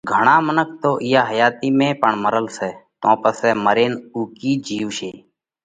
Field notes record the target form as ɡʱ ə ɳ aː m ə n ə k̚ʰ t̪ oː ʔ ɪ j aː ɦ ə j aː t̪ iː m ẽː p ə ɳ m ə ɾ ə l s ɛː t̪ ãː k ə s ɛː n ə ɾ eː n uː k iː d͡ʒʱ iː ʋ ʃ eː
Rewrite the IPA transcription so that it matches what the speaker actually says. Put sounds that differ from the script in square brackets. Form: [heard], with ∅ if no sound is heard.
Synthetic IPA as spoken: ɡʱ ə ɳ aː m ə n ə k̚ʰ t̪ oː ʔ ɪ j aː ɦ ə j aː t̪ iː m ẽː p ə ɳ m ə ɾ ə l s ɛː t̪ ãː [p] ə s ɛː [m] ə ɾ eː n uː k iː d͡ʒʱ iː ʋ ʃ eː